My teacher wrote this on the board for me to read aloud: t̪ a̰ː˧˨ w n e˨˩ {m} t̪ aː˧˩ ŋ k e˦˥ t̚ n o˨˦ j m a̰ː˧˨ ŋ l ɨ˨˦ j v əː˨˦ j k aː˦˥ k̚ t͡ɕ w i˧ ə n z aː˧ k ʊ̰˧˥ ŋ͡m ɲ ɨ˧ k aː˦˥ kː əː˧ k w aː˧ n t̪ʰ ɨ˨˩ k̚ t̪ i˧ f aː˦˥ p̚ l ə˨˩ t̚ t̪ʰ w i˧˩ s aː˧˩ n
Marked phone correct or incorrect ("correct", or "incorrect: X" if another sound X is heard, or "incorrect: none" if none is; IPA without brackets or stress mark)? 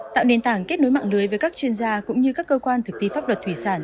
incorrect: n